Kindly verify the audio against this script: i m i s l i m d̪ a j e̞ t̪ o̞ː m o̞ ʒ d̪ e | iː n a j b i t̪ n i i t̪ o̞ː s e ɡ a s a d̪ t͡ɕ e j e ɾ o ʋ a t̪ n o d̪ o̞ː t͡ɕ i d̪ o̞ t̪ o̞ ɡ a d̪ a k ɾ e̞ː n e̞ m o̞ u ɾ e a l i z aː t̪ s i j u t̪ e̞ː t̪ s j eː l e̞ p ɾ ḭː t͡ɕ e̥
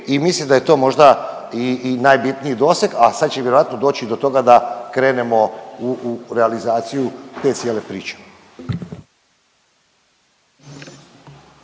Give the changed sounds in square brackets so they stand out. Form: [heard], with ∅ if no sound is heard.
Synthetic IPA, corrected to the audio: i m i s l i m d̪ a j e̞ t̪ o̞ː m o̞ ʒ d̪ [a] | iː n a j b i t̪ n i i [d̪] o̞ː s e ɡ a s a d̪ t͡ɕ e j e ɾ o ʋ a t̪ n o d̪ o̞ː t͡ɕ i d̪ o̞ t̪ o̞ ɡ a d̪ a k ɾ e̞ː n e̞ m o̞ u ɾ e a l i z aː t̪ s i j u t̪ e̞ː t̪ s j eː l e̞ p ɾ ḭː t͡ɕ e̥

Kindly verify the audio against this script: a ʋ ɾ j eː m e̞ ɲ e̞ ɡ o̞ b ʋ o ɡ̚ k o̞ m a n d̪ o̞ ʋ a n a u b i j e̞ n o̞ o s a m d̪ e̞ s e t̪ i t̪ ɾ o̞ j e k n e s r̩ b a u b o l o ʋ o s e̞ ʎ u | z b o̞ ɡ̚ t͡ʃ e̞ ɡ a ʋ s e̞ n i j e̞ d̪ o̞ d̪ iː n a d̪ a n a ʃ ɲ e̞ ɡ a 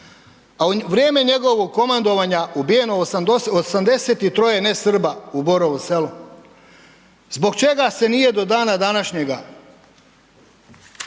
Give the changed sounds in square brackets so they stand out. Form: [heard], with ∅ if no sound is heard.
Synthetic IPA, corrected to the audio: a ʋ ɾ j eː m e̞ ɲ e̞ ɡ o̞ [∅] ʋ o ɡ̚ k o̞ m a n d̪ o̞ ʋ a [ɲ] a u b i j e̞ n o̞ o s a m d̪ e̞ s e t̪ i t̪ ɾ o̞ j e [∅] n e s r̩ b a u b o [ɾ] o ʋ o s e̞ [l] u | z b o̞ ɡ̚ t͡ʃ e̞ ɡ a [∅] s e̞ n i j e̞ d̪ o̞ d̪ [aː] n a d̪ a n a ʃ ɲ e̞ ɡ a

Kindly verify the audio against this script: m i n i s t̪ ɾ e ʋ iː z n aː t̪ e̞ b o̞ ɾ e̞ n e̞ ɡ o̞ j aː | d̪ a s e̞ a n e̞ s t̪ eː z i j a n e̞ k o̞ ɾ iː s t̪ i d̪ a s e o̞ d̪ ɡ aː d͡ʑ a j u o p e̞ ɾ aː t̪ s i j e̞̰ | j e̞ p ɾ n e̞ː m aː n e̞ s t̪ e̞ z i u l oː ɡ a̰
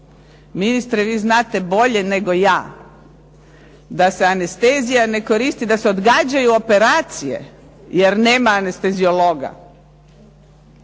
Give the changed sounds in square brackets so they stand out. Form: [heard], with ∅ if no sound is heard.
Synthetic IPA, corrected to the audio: m i n i s t̪ ɾ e ʋ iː z n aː t̪ e̞ b o̞ [ʎ] e̞ n e̞ ɡ o̞ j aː | d̪ a s e̞ a n e̞ s t̪ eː z i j a n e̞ k o̞ ɾ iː s t̪ i d̪ a s e o̞ d̪ ɡ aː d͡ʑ a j u o p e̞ ɾ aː t̪ s i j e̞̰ | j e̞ [∅] ɾ n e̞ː m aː n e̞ s t̪ e̞ z i [o] l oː ɡ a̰

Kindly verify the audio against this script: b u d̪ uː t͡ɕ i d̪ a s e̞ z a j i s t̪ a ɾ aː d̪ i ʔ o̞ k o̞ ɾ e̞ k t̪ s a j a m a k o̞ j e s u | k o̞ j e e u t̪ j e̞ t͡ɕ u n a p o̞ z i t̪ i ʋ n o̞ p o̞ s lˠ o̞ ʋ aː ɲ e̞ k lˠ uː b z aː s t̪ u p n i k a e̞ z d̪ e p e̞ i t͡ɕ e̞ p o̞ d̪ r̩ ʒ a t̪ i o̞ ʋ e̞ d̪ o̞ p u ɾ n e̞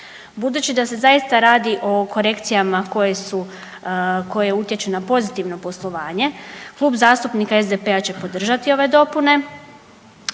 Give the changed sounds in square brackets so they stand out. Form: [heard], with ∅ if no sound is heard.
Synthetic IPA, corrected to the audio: b u d̪ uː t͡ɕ i d̪ a s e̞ z a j i s t̪ a ɾ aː d̪ i ʔ o̞ k o̞ ɾ e̞ k t̪ s [i] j a m a k o̞ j e s u | k o̞ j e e u t̪ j e̞ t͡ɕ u n a p o̞ z i t̪ i ʋ n o̞ p o̞ s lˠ o̞ ʋ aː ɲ e̞ k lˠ uː b z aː s t̪ u p n i k a e̞ z d̪ e p e̞ [a] t͡ɕ e̞ p o̞ d̪ r̩ ʒ a t̪ i o̞ ʋ e̞ d̪ o̞ p u [∅] n e̞

